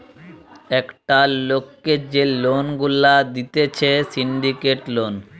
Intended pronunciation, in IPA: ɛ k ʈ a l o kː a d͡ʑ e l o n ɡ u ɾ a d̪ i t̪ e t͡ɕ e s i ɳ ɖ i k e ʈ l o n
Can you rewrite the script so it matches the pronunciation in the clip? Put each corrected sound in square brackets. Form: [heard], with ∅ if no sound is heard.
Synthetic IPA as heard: ɛ k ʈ a l o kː [e] d͡ʑ e l o n ɡ u [l] a d̪ i t̪ e [t͡ɕʰ] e s i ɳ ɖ i k e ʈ l o n